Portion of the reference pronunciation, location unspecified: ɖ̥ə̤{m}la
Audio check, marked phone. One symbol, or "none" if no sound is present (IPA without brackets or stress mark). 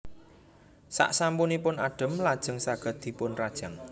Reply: m